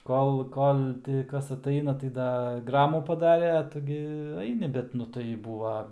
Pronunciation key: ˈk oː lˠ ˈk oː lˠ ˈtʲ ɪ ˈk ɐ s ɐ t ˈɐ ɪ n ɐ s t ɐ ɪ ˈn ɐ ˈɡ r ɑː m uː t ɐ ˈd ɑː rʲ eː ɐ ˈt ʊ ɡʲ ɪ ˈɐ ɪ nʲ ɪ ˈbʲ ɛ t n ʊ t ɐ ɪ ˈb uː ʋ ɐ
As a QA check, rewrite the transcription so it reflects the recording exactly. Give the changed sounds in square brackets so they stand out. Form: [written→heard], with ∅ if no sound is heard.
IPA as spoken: ˈk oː lˠ ˈk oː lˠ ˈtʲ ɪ ˈk ɐ s ɐ t ˈɐ ɪ n ɐ [s→∅] t ɐ ɪ [ˈn→ˈd] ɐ ˈɡ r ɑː m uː [t→p] ɐ ˈd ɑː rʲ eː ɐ ˈt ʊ ɡʲ ɪ ˈɐ ɪ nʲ ɪ ˈbʲ ɛ t n ʊ t ɐ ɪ ˈb uː ʋ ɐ